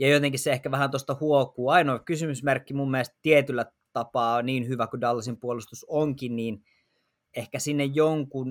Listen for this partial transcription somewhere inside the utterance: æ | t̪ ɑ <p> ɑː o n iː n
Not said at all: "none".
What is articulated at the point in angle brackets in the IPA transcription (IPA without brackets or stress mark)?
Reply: p